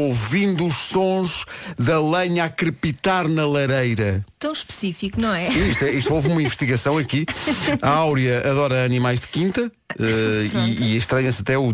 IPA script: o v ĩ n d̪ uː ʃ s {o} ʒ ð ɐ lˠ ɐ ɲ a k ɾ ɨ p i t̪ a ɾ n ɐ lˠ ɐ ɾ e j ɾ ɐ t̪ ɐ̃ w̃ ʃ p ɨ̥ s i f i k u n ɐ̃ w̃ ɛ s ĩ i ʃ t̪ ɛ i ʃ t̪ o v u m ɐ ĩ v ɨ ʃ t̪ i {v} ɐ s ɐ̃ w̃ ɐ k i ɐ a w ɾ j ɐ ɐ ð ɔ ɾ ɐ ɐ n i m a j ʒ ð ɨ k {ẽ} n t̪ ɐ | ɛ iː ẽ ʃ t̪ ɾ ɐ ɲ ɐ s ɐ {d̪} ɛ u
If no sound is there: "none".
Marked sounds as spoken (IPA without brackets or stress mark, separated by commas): õ, ɣ, ĩ, t̪